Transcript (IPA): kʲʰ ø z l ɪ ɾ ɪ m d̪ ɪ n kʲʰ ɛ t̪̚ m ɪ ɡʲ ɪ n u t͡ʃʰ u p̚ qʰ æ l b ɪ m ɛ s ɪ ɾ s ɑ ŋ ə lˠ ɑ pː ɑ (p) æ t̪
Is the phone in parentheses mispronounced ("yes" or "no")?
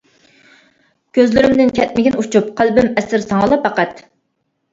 yes